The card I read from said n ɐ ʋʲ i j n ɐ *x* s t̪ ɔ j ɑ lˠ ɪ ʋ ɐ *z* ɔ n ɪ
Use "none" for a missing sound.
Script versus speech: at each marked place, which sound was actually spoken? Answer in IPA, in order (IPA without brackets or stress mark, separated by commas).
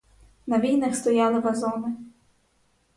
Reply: x, z